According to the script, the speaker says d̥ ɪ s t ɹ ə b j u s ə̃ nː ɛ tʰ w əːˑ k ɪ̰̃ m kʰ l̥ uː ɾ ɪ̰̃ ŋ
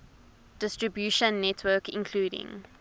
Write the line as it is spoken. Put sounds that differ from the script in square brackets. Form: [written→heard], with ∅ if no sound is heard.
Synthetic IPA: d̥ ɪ s t ɹ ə b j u [s→ʃ] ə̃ nː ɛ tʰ w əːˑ k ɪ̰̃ [m→n] kʰ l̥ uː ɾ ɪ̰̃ ŋ